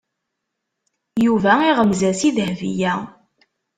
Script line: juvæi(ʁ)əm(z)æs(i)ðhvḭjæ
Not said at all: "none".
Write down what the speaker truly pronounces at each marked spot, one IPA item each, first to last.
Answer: ʁ, z, i

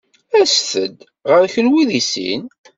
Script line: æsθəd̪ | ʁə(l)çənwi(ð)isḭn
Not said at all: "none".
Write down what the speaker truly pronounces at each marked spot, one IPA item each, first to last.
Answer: ɾ, ð

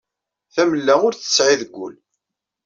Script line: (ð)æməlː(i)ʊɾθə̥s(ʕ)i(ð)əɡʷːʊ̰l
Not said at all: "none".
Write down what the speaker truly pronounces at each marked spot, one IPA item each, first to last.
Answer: θ, æ, ʕ, ð

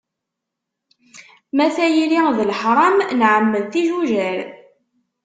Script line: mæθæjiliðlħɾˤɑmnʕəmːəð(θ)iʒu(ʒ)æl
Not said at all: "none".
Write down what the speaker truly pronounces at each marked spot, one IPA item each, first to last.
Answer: θ, ʒ

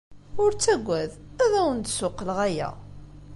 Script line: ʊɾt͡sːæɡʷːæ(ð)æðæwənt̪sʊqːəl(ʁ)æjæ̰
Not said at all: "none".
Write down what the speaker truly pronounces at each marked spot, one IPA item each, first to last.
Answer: ð, ʁ

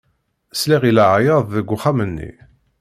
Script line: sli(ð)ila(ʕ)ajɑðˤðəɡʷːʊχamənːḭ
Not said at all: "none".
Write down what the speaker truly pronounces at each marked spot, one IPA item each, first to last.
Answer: ʁ, ʕ

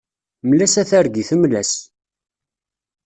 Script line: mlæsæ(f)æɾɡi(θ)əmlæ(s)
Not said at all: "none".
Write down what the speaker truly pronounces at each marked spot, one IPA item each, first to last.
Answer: θ, θ, s

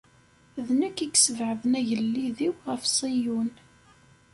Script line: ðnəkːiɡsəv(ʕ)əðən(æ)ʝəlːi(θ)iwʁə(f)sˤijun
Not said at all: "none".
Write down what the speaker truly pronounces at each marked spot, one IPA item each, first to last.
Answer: ʕ, æ, ð, f

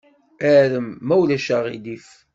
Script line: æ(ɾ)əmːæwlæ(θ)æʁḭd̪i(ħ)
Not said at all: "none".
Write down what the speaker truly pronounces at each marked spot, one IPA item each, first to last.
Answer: ɾ, ʃ, f

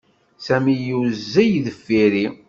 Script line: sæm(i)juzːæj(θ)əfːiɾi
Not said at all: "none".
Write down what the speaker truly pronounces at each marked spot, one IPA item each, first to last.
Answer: i, ð

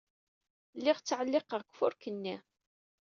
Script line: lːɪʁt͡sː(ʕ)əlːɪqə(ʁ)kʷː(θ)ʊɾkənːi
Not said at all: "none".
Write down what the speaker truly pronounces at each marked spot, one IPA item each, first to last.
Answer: ʕ, ʁ, f

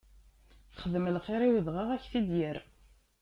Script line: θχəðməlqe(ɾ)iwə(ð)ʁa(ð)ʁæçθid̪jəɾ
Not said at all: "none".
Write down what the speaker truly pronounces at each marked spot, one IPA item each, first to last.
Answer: ɾ, ð, none

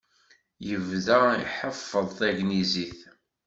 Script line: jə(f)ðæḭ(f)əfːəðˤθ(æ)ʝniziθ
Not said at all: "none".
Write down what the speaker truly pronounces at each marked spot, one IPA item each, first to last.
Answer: v, ħ, æ

